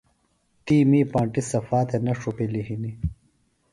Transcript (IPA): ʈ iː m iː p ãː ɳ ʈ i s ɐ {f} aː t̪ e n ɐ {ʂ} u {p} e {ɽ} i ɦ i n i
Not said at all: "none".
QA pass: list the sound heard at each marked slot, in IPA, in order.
f, ʂ, p, l

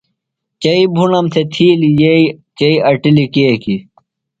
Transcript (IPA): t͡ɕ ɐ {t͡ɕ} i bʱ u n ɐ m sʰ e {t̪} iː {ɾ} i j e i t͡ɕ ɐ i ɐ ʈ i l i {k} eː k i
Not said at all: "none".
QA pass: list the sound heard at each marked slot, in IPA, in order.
none, t̪ʰ, l, k

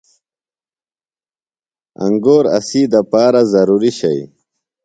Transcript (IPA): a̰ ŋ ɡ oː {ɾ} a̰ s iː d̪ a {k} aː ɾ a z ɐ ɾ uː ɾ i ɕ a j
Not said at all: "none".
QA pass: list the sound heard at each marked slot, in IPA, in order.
ɾ, p

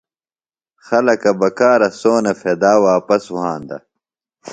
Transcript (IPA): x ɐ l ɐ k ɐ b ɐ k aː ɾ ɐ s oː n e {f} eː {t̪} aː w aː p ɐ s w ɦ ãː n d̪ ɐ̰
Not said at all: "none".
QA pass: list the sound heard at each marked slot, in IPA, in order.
f, d̪

